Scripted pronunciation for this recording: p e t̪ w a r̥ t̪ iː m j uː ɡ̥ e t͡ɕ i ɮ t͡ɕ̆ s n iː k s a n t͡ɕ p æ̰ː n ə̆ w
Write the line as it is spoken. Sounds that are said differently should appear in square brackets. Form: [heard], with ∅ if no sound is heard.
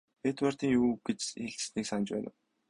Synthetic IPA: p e t̪ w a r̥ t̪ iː [ŋ] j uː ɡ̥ e t͡ɕ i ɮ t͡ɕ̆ s n iː k s a n t͡ɕ p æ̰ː n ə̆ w